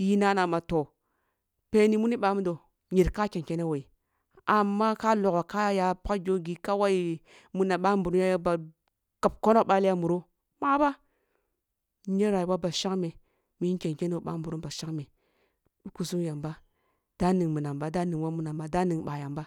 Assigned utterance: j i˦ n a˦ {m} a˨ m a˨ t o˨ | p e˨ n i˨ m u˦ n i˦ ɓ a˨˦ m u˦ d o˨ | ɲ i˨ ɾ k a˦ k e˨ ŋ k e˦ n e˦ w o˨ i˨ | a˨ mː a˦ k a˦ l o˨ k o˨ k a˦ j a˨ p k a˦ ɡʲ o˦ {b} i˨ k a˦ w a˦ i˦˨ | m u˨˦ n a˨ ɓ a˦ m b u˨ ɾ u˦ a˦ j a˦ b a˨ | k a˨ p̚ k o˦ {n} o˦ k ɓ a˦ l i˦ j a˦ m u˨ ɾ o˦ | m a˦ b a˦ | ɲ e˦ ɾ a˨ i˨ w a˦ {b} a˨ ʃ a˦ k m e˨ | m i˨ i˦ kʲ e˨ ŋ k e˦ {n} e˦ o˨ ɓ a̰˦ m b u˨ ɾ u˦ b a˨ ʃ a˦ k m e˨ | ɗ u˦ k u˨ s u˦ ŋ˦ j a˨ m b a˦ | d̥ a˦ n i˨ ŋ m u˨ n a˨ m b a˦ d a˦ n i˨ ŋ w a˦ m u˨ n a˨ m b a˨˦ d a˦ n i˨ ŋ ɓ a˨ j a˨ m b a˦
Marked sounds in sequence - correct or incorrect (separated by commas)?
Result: incorrect, incorrect, correct, correct, correct